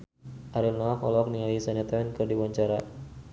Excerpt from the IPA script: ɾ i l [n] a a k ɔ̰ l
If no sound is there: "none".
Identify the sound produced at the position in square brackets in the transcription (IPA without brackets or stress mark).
n